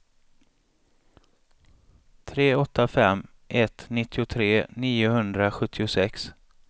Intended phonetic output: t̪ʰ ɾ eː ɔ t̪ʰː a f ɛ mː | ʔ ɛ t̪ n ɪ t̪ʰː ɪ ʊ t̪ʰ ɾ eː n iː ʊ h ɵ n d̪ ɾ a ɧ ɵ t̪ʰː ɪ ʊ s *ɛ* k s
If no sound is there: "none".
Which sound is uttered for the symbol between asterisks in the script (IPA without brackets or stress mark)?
ɛ